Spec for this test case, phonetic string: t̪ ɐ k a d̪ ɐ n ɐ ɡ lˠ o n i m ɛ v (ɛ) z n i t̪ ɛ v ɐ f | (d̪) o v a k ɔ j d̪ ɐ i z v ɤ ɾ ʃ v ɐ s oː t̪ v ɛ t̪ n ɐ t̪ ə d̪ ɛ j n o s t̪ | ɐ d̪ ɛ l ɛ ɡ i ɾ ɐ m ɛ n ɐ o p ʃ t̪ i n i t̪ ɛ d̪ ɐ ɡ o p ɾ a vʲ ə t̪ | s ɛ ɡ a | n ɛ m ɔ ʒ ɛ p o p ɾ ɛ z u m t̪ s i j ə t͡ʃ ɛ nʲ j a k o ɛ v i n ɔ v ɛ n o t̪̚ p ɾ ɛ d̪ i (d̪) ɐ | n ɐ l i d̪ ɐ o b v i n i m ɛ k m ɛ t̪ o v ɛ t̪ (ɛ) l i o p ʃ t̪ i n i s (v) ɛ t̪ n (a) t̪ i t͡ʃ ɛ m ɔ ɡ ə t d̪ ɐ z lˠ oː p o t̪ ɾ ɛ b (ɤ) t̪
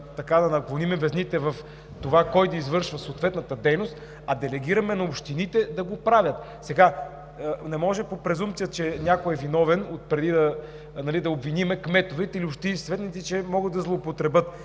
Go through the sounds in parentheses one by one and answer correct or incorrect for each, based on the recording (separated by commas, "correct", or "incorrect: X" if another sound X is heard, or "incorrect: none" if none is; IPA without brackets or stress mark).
correct, incorrect: t̪, correct, incorrect: i, correct, incorrect: i, correct